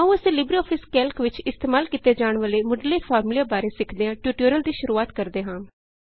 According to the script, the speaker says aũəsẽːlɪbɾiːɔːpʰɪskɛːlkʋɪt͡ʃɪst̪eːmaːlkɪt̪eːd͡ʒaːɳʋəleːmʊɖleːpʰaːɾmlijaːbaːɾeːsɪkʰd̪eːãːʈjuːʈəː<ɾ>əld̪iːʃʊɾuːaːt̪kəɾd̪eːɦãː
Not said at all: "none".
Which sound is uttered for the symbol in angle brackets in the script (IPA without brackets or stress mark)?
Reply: ɾ